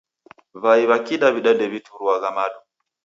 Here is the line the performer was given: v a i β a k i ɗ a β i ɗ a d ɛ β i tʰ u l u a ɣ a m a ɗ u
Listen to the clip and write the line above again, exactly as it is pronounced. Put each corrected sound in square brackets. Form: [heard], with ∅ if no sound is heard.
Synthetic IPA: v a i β a k i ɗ a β i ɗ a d ɛ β i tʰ u [ɾ] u a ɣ a m a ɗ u